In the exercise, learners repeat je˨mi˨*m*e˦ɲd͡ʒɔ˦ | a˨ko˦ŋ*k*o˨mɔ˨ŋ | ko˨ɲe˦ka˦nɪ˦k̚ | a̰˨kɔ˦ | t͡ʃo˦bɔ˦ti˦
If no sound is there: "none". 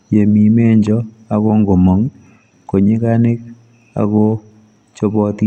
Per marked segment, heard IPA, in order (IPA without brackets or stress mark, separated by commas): m, ɡ